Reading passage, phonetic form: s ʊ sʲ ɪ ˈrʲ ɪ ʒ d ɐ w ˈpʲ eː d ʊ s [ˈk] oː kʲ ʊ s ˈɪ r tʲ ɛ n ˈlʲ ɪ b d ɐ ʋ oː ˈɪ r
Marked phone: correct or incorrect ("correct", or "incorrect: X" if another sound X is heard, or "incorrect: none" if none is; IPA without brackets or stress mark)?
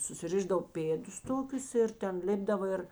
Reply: incorrect: t